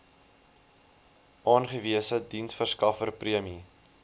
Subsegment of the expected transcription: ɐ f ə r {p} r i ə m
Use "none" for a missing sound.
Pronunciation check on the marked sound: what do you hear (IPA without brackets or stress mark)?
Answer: p